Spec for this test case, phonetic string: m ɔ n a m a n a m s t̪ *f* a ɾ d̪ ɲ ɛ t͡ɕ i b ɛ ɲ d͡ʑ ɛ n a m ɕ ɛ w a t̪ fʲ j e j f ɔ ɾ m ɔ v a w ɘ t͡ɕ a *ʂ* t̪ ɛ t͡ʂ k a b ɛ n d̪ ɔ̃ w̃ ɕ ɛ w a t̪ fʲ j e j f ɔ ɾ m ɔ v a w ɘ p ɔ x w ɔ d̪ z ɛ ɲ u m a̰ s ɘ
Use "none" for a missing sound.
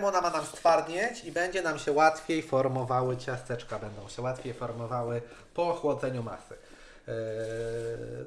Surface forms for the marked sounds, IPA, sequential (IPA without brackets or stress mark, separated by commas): f, s